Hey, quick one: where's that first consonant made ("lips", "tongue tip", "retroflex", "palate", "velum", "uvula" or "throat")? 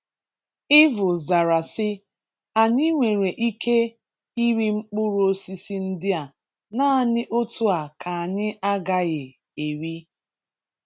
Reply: lips